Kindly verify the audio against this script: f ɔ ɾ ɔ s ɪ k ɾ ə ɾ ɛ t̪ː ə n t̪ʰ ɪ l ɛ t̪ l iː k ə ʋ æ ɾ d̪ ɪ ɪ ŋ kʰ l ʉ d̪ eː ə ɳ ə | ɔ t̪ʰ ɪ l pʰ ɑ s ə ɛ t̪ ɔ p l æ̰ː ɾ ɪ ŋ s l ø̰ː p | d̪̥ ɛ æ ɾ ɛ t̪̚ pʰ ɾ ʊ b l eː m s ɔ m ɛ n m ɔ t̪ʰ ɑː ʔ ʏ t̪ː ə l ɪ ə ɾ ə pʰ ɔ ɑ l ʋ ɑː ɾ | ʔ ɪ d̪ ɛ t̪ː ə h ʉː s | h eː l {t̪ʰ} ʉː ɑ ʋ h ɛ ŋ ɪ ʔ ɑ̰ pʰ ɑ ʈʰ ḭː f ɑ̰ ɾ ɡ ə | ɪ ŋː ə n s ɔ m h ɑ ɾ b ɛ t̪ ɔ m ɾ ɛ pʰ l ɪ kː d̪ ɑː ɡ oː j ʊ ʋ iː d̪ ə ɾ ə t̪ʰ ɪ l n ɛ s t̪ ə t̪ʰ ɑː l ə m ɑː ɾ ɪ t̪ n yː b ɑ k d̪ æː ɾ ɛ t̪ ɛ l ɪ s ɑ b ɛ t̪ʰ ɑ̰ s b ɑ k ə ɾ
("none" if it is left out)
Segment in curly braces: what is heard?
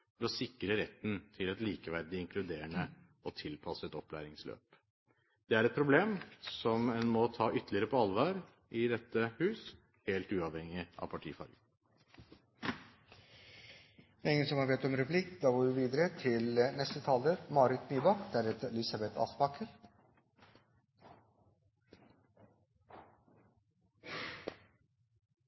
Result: t̪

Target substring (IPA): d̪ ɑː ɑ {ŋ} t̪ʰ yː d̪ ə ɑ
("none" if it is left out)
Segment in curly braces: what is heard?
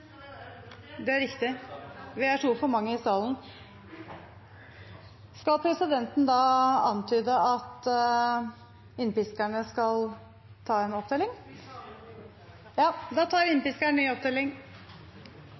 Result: n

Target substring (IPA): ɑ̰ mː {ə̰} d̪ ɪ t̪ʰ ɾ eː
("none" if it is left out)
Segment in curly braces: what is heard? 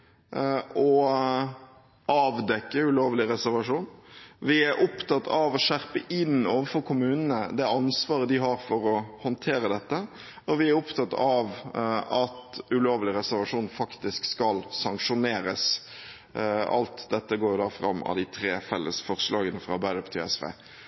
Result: ɑ̰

